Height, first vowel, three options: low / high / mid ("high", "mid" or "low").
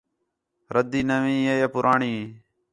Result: mid